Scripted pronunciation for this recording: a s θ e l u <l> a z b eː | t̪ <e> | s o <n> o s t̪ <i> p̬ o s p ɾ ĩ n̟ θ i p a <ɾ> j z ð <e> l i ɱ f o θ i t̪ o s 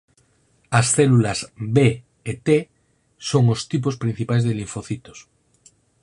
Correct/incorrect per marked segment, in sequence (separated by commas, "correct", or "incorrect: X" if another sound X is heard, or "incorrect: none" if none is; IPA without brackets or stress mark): correct, correct, incorrect: ŋ, correct, incorrect: none, correct